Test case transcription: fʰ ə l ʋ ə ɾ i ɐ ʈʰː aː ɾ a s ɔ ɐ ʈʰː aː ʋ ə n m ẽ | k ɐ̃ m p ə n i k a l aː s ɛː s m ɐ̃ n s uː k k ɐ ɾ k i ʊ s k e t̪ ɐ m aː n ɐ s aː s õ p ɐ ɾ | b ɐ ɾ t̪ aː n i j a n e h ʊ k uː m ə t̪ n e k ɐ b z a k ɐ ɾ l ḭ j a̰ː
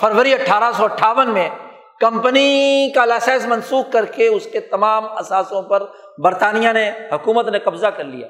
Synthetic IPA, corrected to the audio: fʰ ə ɾ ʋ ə ɾ i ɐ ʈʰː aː ɾ a s ɔ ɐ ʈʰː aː ʋ ə n m ẽ | k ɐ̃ m p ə n i k a l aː s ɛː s m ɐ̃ n s uː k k ɐ ɾ k e ʊ s k e t̪ ɐ m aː m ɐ s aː s õ p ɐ ɾ | b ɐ ɾ t̪ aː n i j a n e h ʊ k uː m ə t̪ n e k ɐ b z a k ɐ ɾ l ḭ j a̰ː